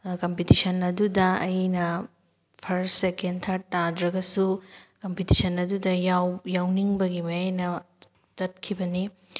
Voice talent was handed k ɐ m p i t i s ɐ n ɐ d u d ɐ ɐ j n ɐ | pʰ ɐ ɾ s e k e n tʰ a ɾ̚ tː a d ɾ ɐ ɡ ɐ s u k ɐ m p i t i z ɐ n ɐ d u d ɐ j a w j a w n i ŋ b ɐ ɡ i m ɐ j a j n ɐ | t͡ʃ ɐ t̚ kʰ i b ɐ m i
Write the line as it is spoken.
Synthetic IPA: k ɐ m p i t i s ɐ n ɐ d u d ɐ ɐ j n ɐ | pʰ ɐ ɾ s e k e n tʰ a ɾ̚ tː a d ɾ ɐ ɡ ɐ s u k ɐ m p i t i s ɐ n ɐ d u d ɐ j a w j a w n i ŋ b ɐ ɡ i m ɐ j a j n ɐ | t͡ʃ ɐ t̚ kʰ i b ɐ n i